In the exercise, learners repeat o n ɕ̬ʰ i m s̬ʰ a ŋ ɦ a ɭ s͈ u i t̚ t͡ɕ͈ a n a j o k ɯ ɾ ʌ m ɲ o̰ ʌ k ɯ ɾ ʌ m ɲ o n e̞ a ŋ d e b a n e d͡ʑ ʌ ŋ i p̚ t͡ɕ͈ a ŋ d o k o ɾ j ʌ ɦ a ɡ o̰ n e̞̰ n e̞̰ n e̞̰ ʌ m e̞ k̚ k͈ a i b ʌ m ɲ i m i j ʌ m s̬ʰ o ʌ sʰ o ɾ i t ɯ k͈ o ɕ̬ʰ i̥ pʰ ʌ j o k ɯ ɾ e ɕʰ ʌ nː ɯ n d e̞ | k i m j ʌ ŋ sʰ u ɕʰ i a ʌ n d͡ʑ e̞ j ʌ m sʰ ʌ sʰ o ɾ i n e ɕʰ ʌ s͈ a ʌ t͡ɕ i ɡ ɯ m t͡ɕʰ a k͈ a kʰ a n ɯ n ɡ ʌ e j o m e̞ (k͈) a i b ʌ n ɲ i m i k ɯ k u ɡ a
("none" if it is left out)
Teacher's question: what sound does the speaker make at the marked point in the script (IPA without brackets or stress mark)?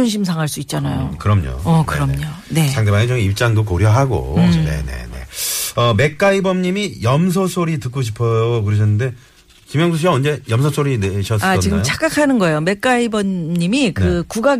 k͈